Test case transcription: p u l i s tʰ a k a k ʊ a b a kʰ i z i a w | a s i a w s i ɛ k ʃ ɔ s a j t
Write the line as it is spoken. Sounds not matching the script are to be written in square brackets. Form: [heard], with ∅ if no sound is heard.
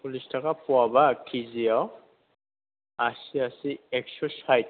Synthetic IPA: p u l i s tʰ a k a [p] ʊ a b a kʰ i z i a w | a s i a [∅] s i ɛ k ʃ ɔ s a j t